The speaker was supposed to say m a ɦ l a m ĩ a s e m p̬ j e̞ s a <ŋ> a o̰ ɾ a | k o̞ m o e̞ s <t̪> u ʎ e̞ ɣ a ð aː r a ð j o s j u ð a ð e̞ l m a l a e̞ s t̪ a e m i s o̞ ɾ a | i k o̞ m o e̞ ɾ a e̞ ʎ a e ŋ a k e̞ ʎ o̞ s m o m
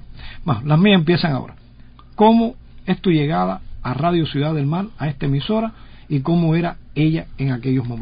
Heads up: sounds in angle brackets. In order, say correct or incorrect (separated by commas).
correct, correct